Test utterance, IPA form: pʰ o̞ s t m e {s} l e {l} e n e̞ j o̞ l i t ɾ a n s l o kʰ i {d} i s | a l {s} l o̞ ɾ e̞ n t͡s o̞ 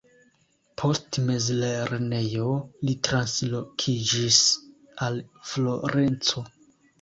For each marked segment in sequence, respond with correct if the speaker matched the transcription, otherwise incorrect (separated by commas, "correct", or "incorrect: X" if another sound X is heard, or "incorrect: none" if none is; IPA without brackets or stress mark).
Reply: incorrect: z, incorrect: ɾ, incorrect: d͡ʒ, incorrect: f